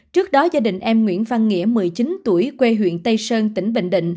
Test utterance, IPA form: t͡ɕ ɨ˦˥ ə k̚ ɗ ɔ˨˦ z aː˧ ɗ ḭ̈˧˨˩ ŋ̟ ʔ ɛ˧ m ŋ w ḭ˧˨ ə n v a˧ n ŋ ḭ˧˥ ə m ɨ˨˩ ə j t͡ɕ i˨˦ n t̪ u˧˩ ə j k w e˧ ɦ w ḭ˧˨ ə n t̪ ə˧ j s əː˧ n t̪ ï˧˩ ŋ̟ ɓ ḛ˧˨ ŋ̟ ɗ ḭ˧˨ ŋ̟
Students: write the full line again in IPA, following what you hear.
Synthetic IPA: t͡ɕ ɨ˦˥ ə k̚ ɗ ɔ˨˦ z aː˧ ɗ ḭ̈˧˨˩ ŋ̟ ʔ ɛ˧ m ŋ w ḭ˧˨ ə n v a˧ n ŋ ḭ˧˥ ə m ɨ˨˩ ə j t͡ɕ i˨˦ n t̪ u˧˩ ə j k w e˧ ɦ w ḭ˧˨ ə n t̪ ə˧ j s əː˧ n t̪ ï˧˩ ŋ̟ ɓ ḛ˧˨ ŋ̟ ɗ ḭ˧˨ ŋ̟